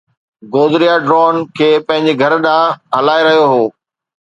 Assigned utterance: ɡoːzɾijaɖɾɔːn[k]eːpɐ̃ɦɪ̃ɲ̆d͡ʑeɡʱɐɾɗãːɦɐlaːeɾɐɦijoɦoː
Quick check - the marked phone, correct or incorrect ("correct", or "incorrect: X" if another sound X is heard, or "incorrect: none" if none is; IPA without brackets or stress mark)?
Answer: incorrect: kʰ